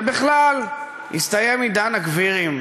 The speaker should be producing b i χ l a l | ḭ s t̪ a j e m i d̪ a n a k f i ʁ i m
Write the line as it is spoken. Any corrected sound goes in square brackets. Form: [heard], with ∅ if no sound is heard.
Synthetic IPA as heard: b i χ l a l | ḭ s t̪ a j e m i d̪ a n a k [v] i ʁ i m